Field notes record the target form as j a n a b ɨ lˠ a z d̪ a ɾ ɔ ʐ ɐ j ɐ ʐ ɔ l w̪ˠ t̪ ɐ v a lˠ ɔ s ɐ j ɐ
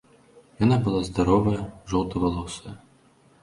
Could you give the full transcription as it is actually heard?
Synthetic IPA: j a n a b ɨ lˠ a z d̪ a ɾ ɔ v ɐ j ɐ ʐ ɔ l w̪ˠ t̪ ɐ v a lˠ ɔ s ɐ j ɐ